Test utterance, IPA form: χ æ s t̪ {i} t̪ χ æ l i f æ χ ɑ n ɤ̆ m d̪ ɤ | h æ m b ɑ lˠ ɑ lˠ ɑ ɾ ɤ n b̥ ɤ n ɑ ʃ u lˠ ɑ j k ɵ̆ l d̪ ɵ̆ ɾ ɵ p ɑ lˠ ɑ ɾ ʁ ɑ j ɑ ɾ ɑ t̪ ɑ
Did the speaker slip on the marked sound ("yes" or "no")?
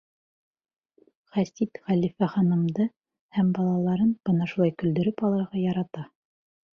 no